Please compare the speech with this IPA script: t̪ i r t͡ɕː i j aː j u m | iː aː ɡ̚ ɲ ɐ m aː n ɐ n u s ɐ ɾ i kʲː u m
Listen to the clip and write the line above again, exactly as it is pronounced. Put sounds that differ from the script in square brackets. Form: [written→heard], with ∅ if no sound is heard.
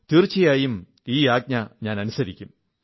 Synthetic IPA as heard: t̪ i r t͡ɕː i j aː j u m | iː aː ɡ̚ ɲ ɐ [m→ɲ] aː n ɐ n u s ɐ ɾ i kʲː u m